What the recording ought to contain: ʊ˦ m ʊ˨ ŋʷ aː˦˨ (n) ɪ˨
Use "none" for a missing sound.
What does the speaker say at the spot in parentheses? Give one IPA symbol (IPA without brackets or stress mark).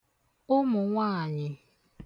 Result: ɲ